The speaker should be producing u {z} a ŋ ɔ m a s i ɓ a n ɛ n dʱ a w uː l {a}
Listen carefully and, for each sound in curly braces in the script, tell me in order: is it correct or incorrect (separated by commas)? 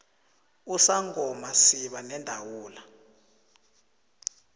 incorrect, correct